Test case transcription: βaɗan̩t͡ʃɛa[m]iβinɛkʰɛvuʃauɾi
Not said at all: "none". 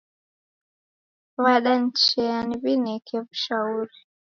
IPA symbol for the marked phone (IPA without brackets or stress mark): n